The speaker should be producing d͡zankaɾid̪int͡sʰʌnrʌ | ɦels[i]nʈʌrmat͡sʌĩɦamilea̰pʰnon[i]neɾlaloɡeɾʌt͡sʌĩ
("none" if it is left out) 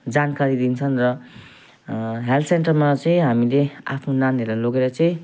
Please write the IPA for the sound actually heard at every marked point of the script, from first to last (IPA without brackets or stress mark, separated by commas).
e, a